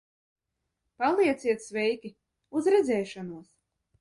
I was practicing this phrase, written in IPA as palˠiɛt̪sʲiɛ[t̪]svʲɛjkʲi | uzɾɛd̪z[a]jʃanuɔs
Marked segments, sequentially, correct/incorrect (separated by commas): correct, incorrect